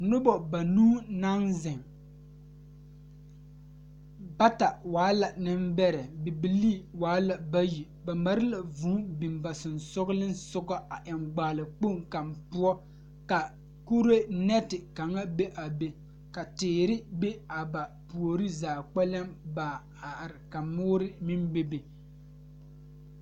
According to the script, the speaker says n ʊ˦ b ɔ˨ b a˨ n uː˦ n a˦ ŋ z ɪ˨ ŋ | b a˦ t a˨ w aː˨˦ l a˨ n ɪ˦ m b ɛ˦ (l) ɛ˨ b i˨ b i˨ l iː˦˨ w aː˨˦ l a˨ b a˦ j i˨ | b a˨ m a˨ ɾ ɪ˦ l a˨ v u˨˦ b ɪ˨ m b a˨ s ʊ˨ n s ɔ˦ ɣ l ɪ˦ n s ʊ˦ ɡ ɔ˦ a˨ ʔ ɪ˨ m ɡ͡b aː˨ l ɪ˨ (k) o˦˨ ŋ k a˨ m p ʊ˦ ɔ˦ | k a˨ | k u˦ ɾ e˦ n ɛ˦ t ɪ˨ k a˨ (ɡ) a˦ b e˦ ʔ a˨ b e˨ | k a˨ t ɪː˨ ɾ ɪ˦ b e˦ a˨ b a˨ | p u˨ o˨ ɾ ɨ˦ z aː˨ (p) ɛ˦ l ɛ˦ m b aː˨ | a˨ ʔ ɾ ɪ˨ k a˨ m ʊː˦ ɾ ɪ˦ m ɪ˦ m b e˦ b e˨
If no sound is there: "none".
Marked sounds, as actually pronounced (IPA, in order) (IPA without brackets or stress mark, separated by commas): ɾ, k͡p, ŋ, k͡p